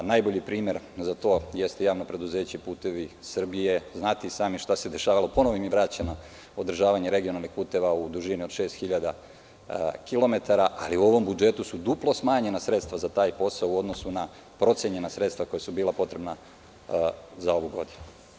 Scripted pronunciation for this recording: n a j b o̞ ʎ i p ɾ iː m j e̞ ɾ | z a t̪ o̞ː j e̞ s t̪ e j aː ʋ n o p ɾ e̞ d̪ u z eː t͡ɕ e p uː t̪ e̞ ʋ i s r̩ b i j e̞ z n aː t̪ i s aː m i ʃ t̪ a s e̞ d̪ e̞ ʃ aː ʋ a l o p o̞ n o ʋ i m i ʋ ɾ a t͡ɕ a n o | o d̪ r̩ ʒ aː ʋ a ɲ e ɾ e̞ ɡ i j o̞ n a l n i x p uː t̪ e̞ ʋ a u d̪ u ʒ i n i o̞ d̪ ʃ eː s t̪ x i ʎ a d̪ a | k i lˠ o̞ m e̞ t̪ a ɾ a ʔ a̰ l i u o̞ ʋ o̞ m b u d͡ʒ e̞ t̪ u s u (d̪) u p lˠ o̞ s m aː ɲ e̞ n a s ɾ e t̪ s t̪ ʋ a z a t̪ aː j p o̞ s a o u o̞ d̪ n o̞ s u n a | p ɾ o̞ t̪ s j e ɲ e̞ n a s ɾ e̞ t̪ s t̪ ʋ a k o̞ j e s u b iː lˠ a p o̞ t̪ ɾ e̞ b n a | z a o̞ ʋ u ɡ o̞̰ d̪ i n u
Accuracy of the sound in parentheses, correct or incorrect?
correct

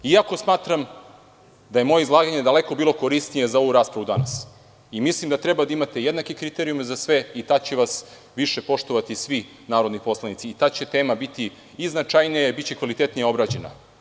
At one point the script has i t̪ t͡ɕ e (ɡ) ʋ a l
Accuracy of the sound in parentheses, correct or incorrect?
incorrect: k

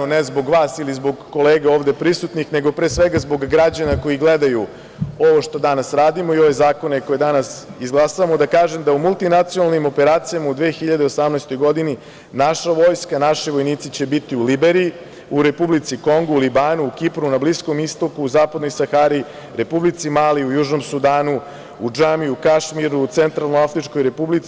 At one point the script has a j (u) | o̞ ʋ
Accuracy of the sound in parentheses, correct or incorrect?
correct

